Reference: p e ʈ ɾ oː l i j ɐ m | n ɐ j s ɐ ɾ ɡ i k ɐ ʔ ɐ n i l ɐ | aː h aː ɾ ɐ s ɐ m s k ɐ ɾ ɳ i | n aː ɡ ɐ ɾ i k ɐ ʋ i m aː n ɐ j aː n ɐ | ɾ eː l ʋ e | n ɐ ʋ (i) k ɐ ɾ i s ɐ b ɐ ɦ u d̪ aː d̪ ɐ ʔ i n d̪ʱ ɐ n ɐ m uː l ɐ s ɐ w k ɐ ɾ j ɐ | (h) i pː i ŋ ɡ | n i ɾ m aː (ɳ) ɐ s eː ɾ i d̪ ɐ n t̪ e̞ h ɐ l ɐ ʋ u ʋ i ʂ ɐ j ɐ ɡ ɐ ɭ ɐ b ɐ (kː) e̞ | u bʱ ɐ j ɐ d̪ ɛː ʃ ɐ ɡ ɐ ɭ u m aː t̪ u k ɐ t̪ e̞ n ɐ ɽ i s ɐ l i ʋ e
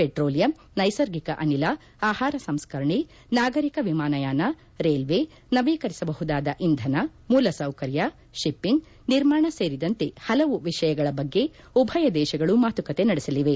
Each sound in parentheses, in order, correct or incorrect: incorrect, incorrect, correct, incorrect

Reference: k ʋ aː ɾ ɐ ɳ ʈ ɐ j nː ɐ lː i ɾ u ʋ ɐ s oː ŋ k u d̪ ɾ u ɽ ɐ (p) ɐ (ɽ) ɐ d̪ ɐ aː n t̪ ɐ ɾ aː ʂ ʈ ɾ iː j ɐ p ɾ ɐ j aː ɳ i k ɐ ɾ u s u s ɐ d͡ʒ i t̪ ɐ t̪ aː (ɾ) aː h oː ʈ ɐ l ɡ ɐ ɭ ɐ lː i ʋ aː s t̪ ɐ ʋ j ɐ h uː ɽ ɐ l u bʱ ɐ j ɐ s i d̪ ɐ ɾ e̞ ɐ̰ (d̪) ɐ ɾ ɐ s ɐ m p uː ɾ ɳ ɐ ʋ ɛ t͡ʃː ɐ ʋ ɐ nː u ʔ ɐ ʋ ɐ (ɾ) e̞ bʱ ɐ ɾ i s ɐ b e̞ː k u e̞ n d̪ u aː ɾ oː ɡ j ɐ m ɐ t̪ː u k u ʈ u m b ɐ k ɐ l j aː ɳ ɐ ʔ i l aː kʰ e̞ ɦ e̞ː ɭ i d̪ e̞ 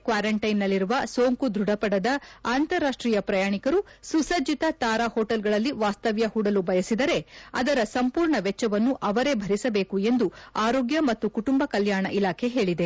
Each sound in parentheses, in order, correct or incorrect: correct, correct, correct, correct, correct

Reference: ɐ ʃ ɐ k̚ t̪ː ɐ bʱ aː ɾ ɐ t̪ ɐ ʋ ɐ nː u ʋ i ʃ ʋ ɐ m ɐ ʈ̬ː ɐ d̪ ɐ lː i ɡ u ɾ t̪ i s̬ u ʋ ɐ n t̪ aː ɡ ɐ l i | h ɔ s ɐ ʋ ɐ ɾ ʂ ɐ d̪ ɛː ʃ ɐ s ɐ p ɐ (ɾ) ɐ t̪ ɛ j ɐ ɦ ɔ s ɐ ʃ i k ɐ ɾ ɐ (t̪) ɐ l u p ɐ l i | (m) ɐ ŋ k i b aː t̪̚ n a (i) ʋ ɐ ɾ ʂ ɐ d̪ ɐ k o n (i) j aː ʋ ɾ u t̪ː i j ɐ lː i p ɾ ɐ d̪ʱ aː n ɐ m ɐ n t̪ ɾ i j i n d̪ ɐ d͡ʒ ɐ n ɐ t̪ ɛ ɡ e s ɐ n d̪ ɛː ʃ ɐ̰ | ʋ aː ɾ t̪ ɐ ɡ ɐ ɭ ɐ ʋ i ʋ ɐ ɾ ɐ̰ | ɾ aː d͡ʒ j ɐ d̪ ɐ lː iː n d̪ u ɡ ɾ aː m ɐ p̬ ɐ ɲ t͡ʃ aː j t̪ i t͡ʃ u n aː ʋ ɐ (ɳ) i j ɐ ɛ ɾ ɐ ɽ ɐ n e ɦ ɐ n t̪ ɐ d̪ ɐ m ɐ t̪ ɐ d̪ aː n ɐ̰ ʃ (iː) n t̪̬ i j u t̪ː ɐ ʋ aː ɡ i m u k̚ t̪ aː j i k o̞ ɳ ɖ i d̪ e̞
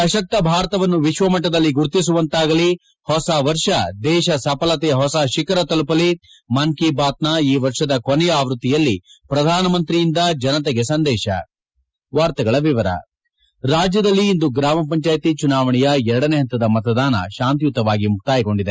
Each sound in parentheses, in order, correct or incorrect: incorrect, correct, correct, incorrect, incorrect, correct, incorrect

